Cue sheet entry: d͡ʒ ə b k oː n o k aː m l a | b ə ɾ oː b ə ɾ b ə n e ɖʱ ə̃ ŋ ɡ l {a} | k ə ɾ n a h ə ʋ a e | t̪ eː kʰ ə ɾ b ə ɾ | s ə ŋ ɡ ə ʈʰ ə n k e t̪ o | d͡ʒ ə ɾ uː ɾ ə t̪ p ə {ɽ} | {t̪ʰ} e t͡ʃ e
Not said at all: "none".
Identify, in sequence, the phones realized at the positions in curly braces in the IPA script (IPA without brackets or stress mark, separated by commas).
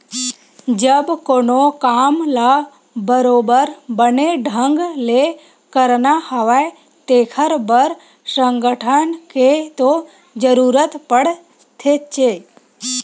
e, ɽ, t̪ʰ